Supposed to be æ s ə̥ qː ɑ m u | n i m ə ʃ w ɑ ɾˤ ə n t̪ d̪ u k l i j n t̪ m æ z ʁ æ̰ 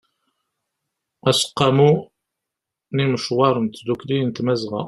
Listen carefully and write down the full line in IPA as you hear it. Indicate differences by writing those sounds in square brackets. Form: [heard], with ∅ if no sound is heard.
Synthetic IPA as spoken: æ s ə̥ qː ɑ m u | n i m ə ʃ w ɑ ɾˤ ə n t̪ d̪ u k l i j n t̪ m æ z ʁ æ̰